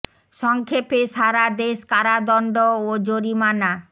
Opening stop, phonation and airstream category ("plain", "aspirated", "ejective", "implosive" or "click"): aspirated